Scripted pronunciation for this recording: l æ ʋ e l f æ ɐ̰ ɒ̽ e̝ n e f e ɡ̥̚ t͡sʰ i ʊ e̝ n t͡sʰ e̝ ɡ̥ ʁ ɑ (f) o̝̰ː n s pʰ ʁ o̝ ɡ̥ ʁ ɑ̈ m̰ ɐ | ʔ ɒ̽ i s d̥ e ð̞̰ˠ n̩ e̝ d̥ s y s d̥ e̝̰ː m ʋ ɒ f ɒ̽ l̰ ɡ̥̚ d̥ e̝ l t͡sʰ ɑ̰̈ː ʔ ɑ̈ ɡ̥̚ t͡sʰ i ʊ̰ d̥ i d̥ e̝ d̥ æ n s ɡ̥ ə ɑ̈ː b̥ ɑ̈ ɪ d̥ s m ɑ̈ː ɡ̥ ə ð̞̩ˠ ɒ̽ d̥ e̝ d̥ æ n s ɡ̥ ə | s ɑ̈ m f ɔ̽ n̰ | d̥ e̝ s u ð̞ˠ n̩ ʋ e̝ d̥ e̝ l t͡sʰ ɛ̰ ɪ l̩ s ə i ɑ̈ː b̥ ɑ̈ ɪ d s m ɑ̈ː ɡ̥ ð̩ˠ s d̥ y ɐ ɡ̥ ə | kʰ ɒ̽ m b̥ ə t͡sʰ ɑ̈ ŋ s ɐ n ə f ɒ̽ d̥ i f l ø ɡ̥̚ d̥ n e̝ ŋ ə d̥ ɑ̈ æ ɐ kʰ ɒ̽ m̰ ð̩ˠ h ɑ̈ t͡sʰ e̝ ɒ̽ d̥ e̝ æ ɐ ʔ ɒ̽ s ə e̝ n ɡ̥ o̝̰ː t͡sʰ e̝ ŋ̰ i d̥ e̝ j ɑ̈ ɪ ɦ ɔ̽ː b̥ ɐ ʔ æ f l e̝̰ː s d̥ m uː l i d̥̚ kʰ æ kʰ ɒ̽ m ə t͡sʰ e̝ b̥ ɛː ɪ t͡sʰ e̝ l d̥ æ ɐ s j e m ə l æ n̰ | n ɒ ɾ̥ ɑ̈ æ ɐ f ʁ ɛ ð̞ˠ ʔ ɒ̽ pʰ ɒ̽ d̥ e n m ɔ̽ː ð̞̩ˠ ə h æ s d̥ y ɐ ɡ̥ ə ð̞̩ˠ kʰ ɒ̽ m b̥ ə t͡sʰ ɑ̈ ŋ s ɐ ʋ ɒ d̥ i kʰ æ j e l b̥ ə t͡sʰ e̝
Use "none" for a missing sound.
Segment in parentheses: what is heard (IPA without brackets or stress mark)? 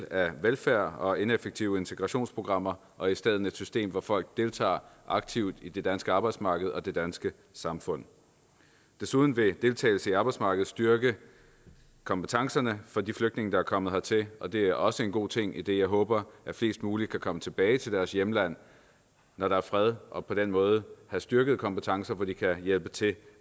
ɕ